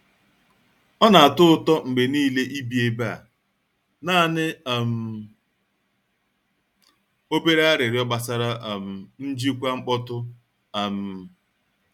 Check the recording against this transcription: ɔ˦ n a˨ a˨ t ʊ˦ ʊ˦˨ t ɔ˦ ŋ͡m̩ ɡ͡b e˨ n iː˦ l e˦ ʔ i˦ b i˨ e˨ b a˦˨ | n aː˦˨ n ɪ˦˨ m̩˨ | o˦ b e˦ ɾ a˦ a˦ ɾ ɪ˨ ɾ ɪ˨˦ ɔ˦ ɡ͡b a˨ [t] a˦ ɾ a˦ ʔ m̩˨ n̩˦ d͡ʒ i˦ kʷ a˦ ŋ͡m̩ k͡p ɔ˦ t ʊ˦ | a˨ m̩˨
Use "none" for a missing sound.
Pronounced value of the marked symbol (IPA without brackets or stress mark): s